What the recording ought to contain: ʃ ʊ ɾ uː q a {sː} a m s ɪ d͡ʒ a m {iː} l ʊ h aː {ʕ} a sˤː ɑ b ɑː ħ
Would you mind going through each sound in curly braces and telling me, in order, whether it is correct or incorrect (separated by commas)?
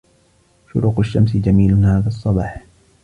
incorrect, correct, incorrect